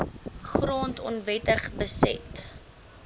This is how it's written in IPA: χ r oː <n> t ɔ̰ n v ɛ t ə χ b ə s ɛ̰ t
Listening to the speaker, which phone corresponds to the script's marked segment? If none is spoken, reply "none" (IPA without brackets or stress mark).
n